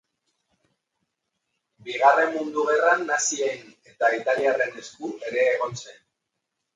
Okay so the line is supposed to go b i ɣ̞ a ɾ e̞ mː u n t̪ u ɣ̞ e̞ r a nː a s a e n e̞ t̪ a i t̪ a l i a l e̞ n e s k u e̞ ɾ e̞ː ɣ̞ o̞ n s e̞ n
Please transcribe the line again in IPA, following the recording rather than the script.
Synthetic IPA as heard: b i ɣ̞ a r e̞ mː u n d̪ u ɣ̞ e̞ r a nː a s i e n e̞ t̪ a i t̪ a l i a r e̞ n e s k u e̞ ɾ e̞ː ɣ̞ o̞ n s e̞ n